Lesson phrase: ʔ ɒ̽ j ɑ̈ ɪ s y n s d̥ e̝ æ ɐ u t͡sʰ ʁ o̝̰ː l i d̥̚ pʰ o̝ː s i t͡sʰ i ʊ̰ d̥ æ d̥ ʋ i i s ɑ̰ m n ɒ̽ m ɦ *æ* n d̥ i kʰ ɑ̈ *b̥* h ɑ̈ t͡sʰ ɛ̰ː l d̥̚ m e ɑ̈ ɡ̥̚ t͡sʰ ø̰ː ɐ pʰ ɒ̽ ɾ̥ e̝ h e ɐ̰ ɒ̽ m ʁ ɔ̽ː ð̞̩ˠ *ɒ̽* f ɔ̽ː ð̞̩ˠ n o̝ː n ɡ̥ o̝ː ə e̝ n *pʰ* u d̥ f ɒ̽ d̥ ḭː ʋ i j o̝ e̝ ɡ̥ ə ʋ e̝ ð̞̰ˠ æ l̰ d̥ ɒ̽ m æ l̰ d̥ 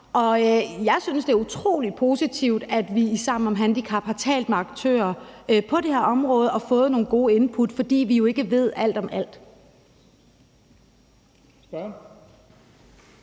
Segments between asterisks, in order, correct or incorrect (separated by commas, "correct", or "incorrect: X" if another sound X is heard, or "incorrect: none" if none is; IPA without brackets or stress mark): correct, correct, correct, correct